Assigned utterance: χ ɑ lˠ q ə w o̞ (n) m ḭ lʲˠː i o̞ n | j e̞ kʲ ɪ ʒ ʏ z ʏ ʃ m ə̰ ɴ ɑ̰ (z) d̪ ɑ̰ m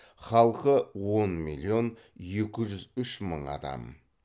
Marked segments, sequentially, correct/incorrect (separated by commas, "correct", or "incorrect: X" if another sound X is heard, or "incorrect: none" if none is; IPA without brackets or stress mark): correct, incorrect: none